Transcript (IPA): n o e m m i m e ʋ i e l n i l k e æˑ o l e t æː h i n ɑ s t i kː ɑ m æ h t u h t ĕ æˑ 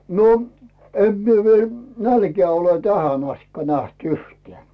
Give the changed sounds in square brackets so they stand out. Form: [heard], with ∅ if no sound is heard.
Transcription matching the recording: n o e m m i [∅] e ʋ i e l n [æ] l k e æˑ o l e t [æ] h [æ] n ɑ s t i kː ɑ [n] æ h t u h t ĕ æˑ